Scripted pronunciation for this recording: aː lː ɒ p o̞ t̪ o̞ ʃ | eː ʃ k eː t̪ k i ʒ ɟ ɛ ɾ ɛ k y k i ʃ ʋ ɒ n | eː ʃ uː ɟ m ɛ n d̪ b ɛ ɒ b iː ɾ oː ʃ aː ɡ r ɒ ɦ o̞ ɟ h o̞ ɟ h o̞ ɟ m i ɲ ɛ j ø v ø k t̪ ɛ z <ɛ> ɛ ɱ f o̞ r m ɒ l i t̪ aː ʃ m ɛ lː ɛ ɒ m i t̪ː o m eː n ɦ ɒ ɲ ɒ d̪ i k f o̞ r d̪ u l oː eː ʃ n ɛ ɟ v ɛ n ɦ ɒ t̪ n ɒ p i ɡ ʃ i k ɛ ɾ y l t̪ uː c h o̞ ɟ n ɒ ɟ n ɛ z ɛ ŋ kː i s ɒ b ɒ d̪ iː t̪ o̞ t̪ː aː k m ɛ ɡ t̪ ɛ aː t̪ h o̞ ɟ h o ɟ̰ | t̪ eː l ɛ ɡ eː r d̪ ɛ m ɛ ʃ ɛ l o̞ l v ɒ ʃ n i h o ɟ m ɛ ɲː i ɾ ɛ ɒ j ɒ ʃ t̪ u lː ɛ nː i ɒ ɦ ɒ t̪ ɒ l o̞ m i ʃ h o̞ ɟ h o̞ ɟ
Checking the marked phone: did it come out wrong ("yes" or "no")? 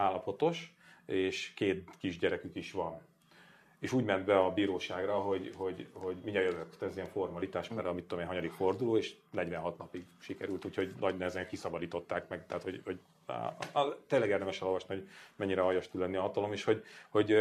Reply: yes